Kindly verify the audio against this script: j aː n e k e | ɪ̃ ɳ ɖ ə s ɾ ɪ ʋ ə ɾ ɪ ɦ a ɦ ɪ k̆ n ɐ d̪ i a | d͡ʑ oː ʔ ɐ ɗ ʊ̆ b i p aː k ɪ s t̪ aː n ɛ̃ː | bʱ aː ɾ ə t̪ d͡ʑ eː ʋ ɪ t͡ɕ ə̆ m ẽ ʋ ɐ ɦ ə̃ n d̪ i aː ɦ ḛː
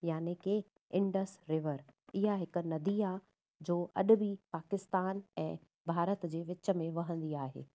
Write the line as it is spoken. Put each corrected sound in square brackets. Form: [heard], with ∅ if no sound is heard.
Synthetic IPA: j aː n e k e | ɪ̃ ɳ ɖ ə s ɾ ɪ ʋ ə ɾ ɪ ɦ a ɦ ɪ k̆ n ɐ d̪ i a | d͡ʑ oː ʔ ɐ ɗ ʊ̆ b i p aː k ɪ s t̪ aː n ɛ̃ː | bʱ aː ɾ ə t̪ d͡ʑ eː ʋ ɪ t͡ɕ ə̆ m ẽ ʋ ɐ ɦ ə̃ n d̪ i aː ɦ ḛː

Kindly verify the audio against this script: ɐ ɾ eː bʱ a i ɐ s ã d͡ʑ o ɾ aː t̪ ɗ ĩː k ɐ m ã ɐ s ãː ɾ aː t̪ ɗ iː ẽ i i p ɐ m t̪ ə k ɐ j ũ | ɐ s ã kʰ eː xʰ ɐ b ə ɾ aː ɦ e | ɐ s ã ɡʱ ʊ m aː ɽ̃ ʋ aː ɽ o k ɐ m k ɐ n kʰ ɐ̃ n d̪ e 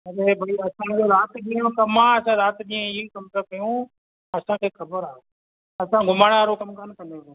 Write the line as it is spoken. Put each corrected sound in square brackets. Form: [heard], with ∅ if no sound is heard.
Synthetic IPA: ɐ ɾ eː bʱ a i ɐ s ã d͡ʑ o ɾ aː t̪ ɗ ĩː k ɐ m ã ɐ s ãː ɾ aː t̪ ɗ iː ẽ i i [k] ɐ m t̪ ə k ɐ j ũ | ɐ s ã kʰ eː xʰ ɐ b ə ɾ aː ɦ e | ɐ s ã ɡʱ ʊ m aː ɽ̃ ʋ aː [ɾ] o k ɐ m k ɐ n [k] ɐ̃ n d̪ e

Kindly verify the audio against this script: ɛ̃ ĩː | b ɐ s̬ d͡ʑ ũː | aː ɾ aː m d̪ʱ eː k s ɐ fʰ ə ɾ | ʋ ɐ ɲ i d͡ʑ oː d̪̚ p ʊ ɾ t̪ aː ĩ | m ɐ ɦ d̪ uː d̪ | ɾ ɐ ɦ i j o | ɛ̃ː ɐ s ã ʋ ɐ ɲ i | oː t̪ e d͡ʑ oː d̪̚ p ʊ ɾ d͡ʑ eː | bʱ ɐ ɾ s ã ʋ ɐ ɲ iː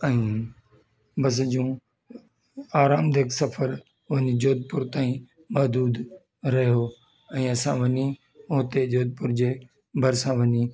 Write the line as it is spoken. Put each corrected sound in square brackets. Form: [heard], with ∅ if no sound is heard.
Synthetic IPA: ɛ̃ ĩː | b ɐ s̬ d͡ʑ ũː | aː ɾ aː m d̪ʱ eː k s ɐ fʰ ə ɾ | ʋ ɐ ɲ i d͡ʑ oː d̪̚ p ʊ ɾ t̪ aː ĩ | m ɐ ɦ d̪ uː d̪ | ɾ ɐ ɦ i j o | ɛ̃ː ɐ s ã ʋ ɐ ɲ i | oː t̪ e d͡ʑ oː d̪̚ p ʊ ɾ d͡ʑ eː | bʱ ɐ ɾ s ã ʋ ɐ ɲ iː

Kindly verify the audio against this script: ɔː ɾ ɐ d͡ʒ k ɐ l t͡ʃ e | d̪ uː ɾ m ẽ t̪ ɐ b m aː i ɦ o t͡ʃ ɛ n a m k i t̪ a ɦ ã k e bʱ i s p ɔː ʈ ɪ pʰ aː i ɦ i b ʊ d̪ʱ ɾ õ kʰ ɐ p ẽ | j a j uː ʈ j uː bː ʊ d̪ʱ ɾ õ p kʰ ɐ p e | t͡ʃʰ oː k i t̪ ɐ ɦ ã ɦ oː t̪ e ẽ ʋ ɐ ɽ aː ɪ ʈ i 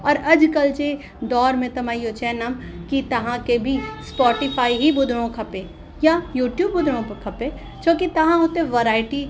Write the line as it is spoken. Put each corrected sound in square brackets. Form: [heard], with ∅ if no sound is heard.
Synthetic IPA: ɔː ɾ ɐ d͡ʒ k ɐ l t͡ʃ e | d̪ [ɔː] ɾ m ẽ t̪ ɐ [∅] m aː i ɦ o t͡ʃ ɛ n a m k i t̪ [ɐ] ɦ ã k e bʱ i s p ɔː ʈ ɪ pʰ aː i ɦ i b ʊ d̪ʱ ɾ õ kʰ ɐ p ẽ | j a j uː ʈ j uː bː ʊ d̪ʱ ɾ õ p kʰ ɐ p e | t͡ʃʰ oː k i t̪ ɐ ɦ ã ɦ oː t̪ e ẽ ʋ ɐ [ɾ] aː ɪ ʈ i

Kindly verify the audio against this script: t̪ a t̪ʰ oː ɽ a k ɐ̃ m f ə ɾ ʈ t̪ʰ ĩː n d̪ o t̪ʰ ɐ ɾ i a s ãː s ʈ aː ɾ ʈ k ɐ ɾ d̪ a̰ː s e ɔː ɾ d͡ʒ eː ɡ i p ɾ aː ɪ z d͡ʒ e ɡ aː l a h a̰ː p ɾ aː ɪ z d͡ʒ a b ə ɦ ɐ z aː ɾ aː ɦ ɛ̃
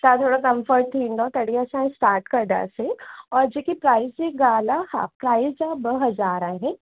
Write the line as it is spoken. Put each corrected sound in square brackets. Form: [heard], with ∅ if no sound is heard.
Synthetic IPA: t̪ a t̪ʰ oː ɽ a k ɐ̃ m f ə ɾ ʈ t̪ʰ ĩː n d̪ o [t̪] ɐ [ɽ] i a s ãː s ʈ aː ɾ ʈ k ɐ ɾ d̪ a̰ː s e ɔː ɾ d͡ʒ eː [k] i p ɾ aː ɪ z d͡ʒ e ɡ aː l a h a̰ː p ɾ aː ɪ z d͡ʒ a b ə ɦ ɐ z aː ɾ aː ɦ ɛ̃

